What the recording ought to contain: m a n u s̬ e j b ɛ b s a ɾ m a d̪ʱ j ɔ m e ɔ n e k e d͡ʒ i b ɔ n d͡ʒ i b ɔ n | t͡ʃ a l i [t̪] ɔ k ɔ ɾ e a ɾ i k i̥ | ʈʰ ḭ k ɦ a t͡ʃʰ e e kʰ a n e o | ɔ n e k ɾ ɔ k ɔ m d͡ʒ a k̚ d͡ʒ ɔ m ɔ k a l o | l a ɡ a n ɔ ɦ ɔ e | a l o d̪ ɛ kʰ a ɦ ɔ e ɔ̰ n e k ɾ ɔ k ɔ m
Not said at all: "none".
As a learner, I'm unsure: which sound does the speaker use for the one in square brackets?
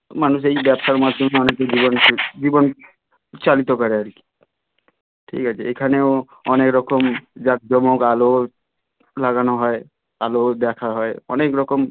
t̪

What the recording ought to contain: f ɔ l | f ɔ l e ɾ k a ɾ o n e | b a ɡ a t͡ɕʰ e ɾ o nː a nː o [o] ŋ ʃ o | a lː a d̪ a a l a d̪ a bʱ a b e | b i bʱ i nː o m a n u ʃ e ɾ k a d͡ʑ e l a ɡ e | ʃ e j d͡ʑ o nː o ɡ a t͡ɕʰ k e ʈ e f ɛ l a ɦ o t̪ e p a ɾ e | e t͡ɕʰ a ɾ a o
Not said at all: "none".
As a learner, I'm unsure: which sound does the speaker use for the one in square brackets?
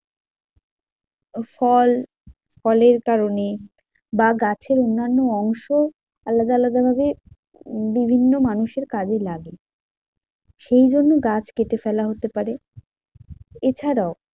ɔ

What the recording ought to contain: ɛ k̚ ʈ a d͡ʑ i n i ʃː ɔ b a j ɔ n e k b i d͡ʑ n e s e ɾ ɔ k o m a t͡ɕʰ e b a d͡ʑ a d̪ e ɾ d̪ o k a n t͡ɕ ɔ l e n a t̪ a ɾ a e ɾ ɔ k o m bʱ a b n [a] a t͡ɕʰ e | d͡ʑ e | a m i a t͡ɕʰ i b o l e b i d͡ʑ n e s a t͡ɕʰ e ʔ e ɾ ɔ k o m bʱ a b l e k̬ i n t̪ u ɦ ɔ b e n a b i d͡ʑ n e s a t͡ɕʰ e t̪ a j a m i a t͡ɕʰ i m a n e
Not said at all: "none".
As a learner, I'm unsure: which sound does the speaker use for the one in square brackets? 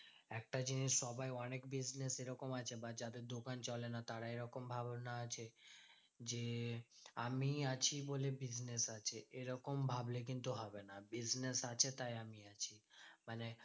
a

